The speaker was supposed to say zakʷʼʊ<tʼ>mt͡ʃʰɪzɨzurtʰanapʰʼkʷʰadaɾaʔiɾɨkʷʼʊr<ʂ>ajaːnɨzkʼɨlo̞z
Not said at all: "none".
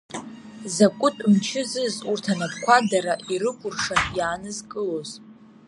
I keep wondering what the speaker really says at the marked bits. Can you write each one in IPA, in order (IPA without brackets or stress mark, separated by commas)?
tʼ, ʂ